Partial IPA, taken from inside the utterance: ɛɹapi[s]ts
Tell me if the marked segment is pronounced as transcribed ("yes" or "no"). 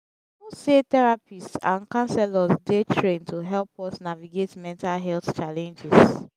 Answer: yes